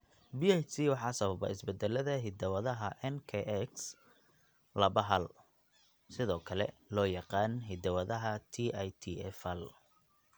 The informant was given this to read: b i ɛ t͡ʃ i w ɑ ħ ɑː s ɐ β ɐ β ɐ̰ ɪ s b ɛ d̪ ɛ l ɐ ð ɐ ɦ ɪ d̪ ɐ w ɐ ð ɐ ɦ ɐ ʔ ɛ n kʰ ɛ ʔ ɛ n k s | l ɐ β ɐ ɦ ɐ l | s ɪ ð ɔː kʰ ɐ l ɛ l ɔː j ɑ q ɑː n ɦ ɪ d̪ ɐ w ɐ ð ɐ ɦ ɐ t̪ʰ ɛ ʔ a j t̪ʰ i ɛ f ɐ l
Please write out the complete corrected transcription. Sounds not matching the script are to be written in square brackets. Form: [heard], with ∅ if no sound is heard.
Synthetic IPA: b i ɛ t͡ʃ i w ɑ ħ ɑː s ɐ β ɐ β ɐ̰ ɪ s b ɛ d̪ ɛ l ɐ ð ɐ ɦ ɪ d̪ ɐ w ɐ ð ɐ ɦ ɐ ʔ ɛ n kʰ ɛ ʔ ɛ [∅] k s | l ɐ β ɐ ɦ ɐ l | s ɪ ð ɔː kʰ ɐ l ɛ l ɔː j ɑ q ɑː n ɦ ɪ d̪ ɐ w ɐ ð ɐ ɦ ɐ t̪ʰ [i] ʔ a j t̪ʰ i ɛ f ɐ l